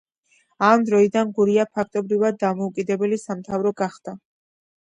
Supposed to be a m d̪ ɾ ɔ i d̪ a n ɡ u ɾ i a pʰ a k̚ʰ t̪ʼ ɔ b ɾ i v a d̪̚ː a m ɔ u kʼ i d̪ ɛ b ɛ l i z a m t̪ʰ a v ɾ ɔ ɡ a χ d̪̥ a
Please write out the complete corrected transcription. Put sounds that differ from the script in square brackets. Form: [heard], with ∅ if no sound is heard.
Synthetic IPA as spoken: a m d̪ ɾ ɔ i d̪ a n ɡ u ɾ i a pʰ a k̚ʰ t̪ʼ ɔ b ɾ i v a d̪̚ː a m ɔ u kʼ i d̪ ɛ b ɛ l i [s] a m t̪ʰ a v ɾ ɔ ɡ a χ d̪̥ a